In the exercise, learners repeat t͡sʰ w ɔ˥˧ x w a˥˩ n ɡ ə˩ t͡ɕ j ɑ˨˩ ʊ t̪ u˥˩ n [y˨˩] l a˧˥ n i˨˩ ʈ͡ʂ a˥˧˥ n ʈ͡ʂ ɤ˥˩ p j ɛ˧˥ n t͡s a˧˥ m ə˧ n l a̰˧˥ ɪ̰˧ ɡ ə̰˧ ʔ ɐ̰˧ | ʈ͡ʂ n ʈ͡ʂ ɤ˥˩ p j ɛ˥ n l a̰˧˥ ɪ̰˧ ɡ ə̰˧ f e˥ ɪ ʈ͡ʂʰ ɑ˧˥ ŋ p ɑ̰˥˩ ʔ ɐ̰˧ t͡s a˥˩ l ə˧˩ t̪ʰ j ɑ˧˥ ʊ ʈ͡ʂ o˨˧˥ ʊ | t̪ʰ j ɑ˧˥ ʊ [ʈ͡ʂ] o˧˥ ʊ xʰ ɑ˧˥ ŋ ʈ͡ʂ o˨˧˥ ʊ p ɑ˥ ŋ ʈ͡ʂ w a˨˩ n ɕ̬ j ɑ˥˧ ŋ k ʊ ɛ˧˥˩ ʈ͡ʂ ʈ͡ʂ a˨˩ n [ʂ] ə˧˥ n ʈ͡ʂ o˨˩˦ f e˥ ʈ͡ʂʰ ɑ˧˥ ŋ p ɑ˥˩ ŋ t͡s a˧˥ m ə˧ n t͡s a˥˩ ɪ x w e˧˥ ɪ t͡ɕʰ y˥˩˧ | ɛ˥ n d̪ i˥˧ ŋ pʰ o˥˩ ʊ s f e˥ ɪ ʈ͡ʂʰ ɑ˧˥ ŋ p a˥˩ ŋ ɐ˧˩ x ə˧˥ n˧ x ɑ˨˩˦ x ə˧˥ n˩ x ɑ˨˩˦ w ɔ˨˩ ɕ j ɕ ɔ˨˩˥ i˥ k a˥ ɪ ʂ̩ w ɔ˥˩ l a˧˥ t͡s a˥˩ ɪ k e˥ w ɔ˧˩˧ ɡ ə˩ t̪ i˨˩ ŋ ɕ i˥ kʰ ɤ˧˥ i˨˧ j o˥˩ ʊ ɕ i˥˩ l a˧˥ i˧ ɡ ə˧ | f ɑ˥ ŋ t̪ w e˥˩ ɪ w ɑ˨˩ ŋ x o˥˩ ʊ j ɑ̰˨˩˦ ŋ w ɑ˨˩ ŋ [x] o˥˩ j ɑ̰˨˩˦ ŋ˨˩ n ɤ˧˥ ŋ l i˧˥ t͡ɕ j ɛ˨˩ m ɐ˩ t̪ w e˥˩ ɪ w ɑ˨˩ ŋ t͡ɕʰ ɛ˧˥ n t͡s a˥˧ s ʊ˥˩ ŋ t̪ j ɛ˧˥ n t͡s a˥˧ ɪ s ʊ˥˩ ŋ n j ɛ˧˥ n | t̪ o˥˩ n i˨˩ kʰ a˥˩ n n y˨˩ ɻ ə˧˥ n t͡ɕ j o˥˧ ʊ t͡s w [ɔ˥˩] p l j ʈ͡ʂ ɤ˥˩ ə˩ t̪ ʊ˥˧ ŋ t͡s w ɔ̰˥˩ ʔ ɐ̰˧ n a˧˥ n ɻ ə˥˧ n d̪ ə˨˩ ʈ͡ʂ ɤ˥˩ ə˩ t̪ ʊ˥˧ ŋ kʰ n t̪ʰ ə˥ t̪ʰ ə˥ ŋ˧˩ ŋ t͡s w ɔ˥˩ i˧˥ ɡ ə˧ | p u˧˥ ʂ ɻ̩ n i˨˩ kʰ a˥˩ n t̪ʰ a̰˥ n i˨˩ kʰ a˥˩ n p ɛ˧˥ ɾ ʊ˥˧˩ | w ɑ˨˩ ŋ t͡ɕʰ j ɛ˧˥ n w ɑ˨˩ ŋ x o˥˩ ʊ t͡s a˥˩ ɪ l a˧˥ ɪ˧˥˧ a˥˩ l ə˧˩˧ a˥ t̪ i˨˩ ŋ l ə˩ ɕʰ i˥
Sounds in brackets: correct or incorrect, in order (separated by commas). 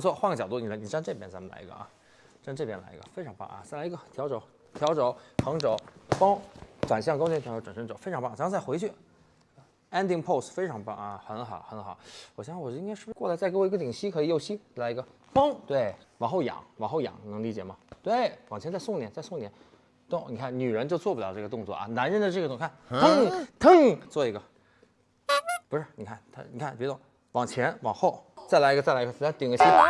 incorrect, correct, correct, correct, correct